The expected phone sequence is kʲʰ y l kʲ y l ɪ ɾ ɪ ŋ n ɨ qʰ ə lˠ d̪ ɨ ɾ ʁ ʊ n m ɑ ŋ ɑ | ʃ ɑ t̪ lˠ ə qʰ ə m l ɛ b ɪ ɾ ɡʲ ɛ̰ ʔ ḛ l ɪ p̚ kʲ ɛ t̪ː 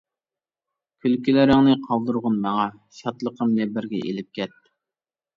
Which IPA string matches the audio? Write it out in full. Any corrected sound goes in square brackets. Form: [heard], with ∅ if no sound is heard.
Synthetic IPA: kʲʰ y l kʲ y l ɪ ɾ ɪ ŋ n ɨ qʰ [ɑ] lˠ d̪ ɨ ɾ ʁ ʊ n m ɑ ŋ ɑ | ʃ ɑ t̪ lˠ ə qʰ ə m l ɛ b ɪ ɾ ɡʲ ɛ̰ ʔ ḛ l ɪ p̚ kʲ ɛ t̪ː